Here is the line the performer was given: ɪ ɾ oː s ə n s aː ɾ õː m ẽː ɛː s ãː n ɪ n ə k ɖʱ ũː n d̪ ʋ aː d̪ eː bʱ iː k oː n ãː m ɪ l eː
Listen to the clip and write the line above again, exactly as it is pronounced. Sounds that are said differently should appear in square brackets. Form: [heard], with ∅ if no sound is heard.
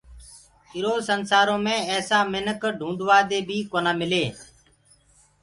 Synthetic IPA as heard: ɪ ɾ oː s ə n s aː ɾ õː m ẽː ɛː s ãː [m] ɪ n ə k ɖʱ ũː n d̪ ʋ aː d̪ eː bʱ iː k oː n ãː m ɪ l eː